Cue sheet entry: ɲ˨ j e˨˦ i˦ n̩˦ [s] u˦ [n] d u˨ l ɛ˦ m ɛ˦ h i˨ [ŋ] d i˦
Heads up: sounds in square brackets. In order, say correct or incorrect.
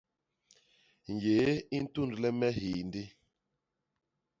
incorrect: t, correct, incorrect: n

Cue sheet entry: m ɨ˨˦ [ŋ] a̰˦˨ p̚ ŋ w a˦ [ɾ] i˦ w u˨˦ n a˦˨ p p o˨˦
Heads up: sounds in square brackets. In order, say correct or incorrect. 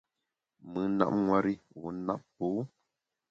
incorrect: n, correct

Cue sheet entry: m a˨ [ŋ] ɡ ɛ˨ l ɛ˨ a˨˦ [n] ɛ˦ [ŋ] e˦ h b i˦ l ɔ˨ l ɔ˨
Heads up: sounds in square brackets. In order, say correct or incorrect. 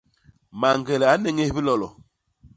correct, correct, correct

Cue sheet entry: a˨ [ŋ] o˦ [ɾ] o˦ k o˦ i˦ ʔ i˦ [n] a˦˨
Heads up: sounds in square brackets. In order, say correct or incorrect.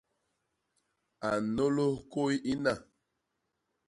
incorrect: n, incorrect: l, correct

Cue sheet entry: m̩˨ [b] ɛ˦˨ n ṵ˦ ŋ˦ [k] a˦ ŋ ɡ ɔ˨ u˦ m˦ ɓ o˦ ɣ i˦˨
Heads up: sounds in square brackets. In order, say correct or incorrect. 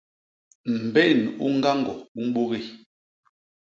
correct, incorrect: ɡ

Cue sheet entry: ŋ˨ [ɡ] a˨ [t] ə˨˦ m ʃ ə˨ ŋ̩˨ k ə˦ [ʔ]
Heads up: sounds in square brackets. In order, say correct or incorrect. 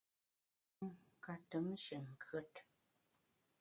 incorrect: k, correct, incorrect: t

